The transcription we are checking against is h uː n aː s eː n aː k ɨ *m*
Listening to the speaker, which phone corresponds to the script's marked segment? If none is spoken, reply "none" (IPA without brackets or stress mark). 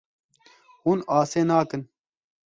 n